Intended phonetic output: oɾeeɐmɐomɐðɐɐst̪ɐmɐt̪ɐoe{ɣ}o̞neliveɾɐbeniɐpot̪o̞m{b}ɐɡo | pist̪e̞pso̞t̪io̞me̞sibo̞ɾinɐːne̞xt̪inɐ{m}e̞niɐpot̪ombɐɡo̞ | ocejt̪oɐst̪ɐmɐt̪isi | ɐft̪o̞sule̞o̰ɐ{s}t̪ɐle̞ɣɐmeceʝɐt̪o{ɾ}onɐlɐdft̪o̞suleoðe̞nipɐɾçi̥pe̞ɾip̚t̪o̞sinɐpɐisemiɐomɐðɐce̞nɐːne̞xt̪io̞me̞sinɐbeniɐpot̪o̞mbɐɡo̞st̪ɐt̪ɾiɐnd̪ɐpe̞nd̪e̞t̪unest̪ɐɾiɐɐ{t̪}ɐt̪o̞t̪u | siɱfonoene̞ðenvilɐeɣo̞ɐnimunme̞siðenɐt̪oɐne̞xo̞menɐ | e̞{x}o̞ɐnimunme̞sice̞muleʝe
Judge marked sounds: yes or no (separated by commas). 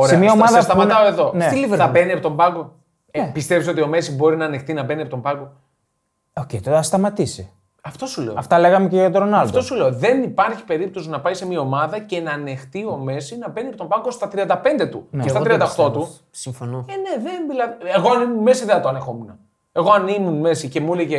no, yes, no, no, yes, no, no